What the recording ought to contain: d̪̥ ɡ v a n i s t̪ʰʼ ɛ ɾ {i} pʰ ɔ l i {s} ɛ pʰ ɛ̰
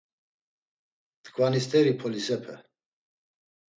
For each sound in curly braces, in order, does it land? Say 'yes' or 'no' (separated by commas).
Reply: yes, yes